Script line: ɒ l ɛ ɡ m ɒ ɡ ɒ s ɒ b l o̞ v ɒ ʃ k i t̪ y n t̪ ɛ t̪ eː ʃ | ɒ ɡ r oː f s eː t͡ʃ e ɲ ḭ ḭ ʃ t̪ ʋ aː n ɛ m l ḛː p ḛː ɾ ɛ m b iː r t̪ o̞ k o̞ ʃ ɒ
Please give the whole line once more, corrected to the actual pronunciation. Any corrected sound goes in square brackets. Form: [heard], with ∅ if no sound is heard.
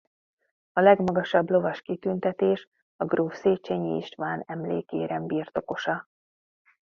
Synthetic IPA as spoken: ɒ l ɛ ɡ m ɒ ɡ ɒ [ʃ] ɒ b l o̞ v ɒ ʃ k i t̪ y n t̪ ɛ t̪ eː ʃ | ɒ ɡ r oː f s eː t͡ʃ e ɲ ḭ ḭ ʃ t̪ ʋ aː n ɛ m l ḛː [k] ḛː ɾ ɛ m b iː r t̪ o̞ k o̞ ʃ ɒ